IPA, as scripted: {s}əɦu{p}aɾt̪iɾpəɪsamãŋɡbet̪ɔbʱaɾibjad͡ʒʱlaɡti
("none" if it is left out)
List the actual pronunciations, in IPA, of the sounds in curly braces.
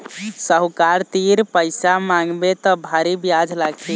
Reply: s, k

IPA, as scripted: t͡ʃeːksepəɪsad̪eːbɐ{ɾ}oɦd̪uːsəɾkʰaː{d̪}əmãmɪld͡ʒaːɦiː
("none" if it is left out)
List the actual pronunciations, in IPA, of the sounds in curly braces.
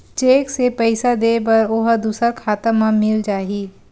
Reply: ɾ, t̪

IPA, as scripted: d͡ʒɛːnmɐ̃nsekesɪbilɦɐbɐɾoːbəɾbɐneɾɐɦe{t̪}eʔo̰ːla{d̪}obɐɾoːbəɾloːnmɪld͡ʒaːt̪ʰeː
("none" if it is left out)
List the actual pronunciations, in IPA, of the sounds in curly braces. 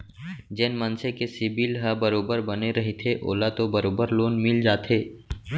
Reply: t̪ʰ, t̪

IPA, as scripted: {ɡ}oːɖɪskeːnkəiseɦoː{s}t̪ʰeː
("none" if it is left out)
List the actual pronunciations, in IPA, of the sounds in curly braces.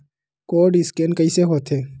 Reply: k, none

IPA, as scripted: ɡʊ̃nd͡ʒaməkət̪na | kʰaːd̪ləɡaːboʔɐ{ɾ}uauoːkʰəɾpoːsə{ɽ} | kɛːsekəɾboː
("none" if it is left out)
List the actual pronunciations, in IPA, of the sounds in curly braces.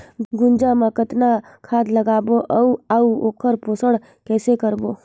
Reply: none, ɽ

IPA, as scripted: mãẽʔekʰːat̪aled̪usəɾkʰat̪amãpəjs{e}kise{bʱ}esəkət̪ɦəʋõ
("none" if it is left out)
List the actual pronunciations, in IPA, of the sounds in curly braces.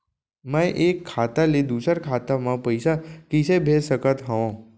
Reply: a, bʱ

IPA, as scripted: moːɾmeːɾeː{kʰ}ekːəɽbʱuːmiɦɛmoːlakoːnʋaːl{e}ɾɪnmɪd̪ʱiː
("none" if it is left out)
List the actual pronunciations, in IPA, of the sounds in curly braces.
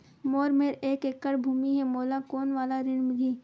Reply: k, a

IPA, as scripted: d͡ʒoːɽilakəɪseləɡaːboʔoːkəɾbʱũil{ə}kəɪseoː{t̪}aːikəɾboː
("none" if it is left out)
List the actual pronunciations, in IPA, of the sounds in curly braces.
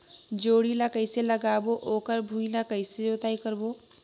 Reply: a, t̪

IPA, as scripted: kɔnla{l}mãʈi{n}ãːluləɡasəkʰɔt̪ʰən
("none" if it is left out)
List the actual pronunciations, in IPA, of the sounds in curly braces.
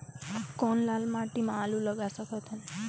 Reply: l, m

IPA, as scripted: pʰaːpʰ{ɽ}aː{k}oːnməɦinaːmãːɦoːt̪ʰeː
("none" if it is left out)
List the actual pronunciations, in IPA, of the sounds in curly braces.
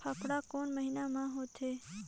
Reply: ɽ, k

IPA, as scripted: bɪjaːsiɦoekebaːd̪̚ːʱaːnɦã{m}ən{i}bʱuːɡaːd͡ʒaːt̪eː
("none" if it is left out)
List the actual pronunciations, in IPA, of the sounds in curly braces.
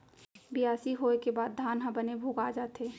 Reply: b, e

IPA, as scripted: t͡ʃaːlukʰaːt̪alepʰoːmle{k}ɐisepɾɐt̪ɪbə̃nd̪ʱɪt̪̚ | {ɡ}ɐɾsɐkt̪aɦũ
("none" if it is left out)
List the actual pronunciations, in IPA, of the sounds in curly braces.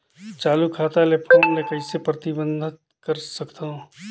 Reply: k, k

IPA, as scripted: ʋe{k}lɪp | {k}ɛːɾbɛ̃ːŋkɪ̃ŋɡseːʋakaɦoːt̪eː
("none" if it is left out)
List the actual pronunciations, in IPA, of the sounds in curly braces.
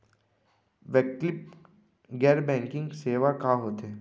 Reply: k, ɡ

